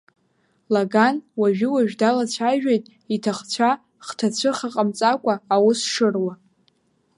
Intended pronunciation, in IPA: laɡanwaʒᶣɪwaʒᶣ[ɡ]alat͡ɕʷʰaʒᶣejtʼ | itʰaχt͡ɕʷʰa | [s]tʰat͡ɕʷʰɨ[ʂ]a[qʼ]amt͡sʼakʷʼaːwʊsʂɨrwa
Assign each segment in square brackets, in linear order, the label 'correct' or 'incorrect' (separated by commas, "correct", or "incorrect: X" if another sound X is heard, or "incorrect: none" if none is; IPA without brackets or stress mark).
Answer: incorrect: d, incorrect: χ, incorrect: χ, correct